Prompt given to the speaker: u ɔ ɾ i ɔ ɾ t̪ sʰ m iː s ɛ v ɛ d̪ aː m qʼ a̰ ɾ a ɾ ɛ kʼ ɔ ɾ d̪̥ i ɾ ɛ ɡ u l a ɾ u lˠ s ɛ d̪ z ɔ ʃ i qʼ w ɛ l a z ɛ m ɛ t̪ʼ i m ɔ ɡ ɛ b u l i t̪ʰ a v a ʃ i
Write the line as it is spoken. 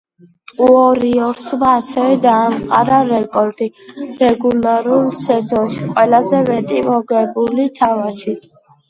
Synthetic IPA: u ɔ ɾ i ɔ ɾ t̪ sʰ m aː s ɛ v ɛ d̪ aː m qʼ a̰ ɾ a ɾ ɛ kʼ ɔ ɾ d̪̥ i ɾ ɛ ɡ u l a ɾ u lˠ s ɛ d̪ z ɔ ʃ i qʼ w ɛ l a z ɛ m ɛ t̪ʼ i m ɔ ɡ ɛ b u l i t̪ʰ a v a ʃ i